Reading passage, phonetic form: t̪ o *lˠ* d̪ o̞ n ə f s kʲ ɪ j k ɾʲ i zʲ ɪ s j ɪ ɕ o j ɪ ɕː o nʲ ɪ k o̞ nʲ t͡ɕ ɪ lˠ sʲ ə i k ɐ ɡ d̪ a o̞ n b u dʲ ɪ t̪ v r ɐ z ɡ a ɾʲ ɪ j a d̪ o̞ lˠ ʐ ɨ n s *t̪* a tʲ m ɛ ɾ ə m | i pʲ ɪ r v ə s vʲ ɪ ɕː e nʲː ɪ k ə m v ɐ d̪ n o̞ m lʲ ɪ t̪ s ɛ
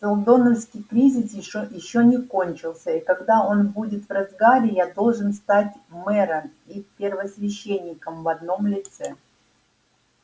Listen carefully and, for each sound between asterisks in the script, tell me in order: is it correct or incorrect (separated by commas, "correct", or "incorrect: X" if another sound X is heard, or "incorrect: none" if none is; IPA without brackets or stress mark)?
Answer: correct, correct